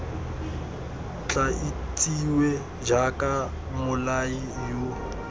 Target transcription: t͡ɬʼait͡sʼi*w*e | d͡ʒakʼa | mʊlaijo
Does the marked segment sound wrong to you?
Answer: no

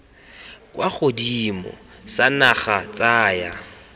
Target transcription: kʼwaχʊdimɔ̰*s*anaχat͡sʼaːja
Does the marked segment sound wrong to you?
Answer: no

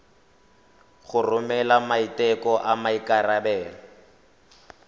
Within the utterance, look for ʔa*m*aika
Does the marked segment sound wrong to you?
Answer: no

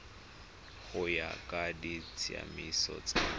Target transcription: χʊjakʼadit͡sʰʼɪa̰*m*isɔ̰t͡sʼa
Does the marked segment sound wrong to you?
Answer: no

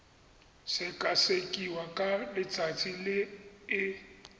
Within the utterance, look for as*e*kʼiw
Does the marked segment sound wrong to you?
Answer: no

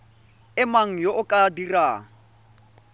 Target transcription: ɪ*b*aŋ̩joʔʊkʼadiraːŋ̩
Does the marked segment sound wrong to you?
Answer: yes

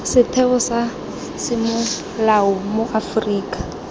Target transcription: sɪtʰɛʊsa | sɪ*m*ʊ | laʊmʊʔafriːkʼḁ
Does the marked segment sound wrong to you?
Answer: no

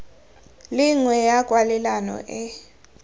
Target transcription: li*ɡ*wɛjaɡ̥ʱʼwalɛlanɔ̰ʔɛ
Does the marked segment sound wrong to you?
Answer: yes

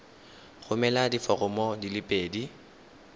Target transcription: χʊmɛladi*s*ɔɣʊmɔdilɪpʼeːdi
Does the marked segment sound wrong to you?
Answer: yes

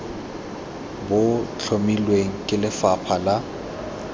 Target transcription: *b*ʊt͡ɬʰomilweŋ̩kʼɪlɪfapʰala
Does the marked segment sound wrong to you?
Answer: no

